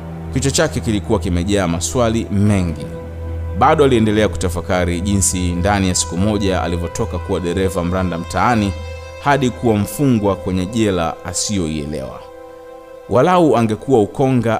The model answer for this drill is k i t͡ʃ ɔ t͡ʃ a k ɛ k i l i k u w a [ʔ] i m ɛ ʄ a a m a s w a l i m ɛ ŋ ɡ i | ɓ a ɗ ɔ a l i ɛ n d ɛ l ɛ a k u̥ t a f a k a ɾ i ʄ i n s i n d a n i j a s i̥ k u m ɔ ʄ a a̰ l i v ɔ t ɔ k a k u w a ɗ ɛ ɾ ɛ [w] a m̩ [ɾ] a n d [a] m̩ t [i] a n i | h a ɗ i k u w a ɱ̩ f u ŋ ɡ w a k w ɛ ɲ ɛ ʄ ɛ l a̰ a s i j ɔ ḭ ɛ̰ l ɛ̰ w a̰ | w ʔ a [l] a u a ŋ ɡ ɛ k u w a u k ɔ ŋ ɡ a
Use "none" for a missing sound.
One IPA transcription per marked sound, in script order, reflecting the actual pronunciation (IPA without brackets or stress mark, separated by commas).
k, v, ɾ, a, a, l